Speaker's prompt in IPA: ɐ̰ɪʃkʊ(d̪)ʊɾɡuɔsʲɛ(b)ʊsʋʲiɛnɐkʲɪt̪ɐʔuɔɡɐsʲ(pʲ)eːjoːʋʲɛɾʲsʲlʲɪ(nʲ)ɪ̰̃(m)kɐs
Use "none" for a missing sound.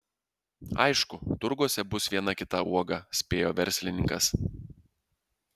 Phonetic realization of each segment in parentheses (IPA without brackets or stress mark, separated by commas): t̪, b, pʲ, nʲ, ŋ